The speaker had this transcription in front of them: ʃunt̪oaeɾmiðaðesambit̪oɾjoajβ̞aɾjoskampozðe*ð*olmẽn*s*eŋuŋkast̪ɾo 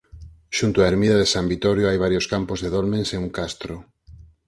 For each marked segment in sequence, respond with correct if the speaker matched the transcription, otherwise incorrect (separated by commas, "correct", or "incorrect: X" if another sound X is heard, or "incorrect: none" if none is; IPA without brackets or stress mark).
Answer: correct, correct